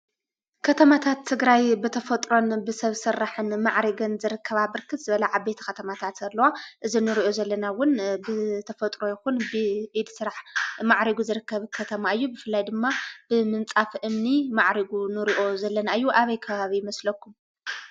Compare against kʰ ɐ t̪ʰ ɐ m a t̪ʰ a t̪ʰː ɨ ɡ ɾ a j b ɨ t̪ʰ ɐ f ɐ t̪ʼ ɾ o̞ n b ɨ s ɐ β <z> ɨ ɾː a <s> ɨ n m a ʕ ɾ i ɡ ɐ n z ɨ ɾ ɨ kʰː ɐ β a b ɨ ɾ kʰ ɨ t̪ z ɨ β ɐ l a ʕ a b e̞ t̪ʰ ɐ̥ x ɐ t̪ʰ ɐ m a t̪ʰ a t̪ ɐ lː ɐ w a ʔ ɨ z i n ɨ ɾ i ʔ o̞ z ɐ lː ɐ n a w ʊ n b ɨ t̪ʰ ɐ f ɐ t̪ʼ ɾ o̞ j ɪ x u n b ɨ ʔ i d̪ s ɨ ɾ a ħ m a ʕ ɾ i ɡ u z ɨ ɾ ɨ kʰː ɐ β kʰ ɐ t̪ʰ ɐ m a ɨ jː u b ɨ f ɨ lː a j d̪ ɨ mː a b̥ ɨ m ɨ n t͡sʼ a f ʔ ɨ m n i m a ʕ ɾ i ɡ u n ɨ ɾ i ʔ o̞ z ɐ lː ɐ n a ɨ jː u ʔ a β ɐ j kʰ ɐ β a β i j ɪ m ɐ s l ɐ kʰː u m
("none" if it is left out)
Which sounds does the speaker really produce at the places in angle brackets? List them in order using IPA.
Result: s, ħ

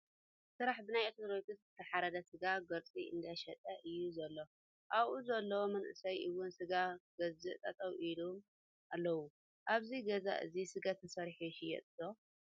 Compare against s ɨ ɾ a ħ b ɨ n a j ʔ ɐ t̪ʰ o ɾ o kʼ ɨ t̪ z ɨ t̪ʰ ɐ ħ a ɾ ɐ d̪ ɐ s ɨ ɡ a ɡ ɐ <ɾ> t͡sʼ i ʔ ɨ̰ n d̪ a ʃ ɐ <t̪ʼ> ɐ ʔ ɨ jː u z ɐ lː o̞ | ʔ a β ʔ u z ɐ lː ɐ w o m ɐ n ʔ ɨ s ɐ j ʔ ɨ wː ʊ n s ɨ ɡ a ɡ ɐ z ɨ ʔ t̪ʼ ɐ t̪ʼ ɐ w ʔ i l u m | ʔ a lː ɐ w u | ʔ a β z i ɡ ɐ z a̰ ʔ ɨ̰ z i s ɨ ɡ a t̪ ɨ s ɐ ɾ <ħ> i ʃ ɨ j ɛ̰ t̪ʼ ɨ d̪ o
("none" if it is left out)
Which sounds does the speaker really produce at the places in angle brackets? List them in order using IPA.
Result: ɾ, t̪ʼ, ħ

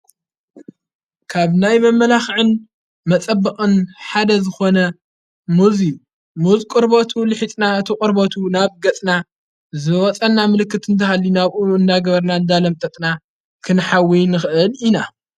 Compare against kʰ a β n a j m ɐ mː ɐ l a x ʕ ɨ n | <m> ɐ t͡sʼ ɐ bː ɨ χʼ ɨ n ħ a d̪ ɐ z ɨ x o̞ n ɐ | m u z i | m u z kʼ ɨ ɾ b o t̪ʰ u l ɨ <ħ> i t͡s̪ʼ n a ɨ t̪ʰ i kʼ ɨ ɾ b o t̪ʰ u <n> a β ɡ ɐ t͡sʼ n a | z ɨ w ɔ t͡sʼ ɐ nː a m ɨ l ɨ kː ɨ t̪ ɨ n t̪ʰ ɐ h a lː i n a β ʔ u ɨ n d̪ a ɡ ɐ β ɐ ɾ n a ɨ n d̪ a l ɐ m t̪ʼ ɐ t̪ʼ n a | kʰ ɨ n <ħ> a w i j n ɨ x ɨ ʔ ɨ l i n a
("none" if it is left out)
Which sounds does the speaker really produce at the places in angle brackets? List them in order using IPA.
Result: m, ħ, n, ħ

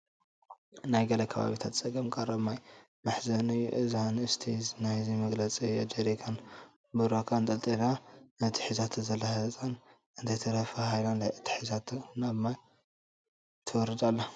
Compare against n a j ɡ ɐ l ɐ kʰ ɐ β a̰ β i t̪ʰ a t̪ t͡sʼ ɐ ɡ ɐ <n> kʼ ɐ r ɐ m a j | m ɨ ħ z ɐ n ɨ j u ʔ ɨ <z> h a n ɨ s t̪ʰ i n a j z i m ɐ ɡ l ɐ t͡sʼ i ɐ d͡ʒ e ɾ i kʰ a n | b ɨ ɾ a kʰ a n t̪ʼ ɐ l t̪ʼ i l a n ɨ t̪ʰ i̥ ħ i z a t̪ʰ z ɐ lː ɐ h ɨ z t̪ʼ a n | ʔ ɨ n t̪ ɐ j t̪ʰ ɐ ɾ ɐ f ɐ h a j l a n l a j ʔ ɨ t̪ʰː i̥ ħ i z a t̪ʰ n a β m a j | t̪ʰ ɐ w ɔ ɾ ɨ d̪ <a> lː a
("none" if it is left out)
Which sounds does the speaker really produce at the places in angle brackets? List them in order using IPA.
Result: m, z, a

